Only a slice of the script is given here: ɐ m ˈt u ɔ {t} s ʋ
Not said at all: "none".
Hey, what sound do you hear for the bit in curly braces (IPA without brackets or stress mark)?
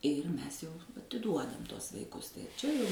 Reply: none